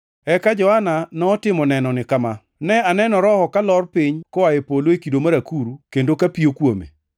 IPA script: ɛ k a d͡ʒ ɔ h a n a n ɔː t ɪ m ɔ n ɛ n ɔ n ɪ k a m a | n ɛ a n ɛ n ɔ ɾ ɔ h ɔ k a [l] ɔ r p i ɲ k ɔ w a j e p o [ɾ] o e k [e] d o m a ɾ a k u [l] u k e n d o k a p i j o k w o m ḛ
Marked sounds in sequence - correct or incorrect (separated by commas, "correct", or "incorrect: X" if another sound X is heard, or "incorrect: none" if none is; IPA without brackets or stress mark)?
correct, incorrect: l, incorrect: i, incorrect: ɾ